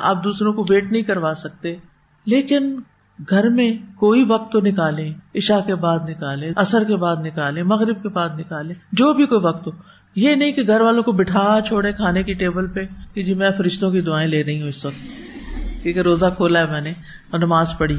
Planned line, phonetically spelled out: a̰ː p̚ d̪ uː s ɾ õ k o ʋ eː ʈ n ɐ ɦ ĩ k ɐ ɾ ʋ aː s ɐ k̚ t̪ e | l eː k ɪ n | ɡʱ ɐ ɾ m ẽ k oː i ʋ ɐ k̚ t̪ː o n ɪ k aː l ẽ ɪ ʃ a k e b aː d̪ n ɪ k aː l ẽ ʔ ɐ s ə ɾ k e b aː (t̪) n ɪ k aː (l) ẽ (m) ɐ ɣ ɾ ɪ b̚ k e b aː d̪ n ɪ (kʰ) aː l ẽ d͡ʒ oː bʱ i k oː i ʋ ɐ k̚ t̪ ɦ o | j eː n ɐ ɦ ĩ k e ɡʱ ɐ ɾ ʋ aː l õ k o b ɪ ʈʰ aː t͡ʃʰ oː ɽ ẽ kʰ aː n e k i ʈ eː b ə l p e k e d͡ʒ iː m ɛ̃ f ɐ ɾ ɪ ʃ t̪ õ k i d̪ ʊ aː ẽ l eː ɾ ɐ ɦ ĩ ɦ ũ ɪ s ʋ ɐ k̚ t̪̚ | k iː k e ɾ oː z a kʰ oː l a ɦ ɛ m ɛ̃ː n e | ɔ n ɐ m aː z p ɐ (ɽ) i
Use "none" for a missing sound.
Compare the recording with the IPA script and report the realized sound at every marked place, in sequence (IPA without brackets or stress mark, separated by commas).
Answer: d̪, l, m, k, ɽ